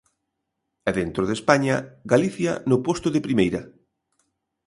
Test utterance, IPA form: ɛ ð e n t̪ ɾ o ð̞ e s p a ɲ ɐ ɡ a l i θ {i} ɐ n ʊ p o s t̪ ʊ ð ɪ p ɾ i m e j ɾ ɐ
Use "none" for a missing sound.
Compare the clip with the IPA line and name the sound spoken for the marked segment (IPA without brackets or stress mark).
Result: j